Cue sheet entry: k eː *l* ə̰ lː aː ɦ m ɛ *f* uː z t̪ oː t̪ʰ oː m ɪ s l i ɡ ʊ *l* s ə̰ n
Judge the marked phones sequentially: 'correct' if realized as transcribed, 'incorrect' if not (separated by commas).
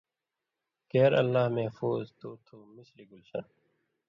incorrect, correct, correct